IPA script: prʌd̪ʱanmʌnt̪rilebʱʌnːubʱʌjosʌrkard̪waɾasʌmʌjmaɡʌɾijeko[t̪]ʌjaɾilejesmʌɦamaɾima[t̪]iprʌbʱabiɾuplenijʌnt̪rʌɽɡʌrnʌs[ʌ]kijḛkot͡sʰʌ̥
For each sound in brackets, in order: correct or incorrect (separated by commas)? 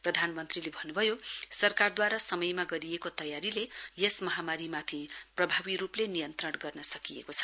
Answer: correct, incorrect, correct